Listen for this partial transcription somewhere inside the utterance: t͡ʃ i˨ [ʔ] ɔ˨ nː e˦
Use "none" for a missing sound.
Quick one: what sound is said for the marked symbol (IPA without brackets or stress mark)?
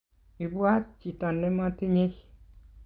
t